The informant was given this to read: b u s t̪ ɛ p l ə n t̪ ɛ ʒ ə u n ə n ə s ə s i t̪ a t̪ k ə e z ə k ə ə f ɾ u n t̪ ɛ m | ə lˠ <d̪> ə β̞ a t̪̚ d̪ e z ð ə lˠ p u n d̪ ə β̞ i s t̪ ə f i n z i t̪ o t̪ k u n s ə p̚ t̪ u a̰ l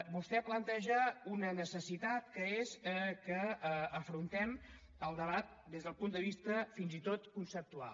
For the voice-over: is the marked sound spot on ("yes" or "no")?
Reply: yes